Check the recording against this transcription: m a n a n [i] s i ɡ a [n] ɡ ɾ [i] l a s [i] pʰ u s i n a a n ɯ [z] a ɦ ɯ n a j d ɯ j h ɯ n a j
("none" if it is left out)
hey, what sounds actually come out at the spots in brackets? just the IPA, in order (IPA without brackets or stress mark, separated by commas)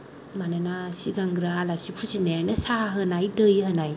a, ŋ, a, i, s